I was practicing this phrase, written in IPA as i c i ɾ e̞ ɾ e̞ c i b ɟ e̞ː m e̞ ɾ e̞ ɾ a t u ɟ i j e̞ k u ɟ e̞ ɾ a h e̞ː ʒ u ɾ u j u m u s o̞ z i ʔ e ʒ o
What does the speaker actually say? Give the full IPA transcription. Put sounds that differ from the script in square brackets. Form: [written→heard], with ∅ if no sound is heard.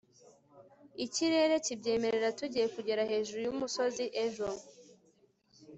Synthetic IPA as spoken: i c i ɾ e̞ ɾ e̞ c i b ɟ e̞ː m e̞ ɾ e̞ ɾ a t u ɟ i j e̞ k u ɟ e̞ ɾ a h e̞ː ʒ u ɾ u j u m u s o̞ z i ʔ e ʒ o